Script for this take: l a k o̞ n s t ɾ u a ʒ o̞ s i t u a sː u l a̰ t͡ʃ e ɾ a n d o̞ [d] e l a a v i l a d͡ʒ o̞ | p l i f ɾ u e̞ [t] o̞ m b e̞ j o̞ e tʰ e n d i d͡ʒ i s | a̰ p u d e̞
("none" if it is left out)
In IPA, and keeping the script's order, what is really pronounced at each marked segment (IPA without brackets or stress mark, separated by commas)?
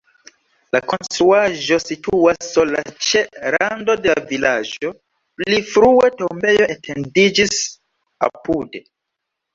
d, t